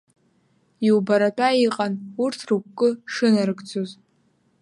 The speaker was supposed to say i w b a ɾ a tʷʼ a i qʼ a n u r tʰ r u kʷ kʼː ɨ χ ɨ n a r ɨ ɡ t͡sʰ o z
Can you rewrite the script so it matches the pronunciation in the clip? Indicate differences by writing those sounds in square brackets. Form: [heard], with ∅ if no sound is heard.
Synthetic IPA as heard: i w b a ɾ a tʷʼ a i qʼ a n u r tʰ r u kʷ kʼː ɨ [ʂ] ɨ n a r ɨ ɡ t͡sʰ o z